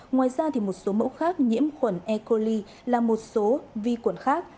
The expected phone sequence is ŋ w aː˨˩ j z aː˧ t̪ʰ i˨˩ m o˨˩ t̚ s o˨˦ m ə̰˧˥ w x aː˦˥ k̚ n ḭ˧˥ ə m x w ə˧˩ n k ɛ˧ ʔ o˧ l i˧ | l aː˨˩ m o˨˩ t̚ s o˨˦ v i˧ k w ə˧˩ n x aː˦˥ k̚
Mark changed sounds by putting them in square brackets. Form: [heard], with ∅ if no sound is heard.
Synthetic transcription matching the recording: ŋ w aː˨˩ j z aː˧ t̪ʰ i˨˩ m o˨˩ t̚ s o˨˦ m ə̰˧˥ w x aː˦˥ k̚ [ɲ] ḭ˧˥ ə m x w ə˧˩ n [ʔ] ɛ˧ [k] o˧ l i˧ | l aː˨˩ m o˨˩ t̚ s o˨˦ v i˧ k w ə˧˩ n x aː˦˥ k̚

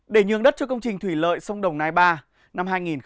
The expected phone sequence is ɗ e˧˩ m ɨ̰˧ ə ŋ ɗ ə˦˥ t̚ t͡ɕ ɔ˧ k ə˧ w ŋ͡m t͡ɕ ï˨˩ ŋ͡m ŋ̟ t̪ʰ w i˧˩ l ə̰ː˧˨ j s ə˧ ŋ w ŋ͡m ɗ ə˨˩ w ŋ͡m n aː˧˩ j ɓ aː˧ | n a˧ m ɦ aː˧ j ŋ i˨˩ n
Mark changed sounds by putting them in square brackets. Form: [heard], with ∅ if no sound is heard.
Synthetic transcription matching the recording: ɗ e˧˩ [ɲ] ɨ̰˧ ə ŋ ɗ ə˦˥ t̚ t͡ɕ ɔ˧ k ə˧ w ŋ͡m t͡ɕ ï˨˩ [∅] ŋ̟ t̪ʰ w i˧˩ l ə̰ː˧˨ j s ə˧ [∅] w ŋ͡m ɗ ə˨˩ w ŋ͡m n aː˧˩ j ɓ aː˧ | n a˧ m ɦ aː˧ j ŋ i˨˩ n

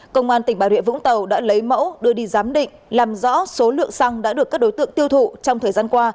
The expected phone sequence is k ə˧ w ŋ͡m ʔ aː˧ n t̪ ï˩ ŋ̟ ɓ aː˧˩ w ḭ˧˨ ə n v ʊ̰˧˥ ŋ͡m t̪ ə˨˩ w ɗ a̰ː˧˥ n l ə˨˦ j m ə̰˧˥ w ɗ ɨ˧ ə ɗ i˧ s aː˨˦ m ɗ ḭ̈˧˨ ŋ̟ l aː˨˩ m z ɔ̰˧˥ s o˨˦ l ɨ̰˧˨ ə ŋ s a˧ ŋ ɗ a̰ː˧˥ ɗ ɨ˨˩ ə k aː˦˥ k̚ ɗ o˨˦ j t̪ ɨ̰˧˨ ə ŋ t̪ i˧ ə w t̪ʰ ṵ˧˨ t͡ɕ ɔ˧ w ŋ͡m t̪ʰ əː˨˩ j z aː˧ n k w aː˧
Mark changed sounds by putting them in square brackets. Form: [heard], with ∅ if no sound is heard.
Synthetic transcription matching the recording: k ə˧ w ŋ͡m ʔ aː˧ n t̪ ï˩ ŋ̟ ɓ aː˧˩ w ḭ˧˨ ə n v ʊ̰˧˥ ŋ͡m t̪ ə˨˩ w ɗ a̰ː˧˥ [∅] l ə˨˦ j m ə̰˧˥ w ɗ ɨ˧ ə ɗ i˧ [z] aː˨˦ m ɗ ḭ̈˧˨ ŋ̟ l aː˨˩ m z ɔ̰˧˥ s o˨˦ l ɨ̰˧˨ ə ŋ s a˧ ŋ ɗ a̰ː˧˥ ɗ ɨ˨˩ ə k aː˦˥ k̚ ɗ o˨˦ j t̪ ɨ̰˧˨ ə ŋ t̪ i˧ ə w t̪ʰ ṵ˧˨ t͡ɕ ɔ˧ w ŋ͡m t̪ʰ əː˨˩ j z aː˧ n k w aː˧

